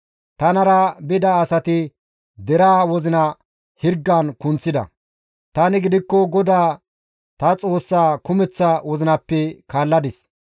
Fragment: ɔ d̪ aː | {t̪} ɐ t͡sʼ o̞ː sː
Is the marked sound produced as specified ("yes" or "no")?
yes